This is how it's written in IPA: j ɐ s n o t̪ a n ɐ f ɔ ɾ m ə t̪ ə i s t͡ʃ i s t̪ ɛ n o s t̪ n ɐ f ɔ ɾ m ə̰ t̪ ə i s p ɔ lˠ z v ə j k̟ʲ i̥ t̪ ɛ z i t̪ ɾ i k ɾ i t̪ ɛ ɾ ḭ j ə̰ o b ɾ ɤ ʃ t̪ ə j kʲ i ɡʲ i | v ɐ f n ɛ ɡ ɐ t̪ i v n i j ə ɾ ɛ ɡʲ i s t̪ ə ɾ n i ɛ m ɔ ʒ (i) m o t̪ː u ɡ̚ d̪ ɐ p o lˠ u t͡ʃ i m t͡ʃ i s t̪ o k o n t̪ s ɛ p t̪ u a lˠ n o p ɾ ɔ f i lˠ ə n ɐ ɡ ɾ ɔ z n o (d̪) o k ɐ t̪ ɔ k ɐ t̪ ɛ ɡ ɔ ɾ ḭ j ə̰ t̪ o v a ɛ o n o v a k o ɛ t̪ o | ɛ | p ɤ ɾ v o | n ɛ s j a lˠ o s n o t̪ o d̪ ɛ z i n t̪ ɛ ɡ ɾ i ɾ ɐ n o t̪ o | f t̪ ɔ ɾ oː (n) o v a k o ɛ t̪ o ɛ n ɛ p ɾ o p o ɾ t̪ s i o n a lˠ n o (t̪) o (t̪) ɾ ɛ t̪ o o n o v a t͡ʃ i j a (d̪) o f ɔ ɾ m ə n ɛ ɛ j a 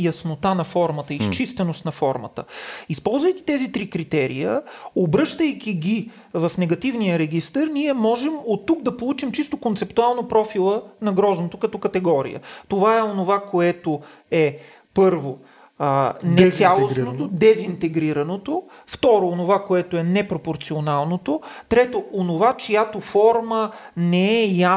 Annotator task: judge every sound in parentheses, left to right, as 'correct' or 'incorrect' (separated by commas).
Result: incorrect, incorrect, correct, correct, correct, incorrect